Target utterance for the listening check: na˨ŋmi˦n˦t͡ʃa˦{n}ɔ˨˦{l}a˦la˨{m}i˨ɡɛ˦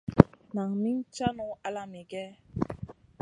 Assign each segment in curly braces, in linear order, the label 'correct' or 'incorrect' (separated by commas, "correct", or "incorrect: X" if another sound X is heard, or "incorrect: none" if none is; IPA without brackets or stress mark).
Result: correct, incorrect: none, correct